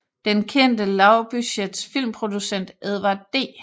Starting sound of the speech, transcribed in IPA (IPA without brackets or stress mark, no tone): d̥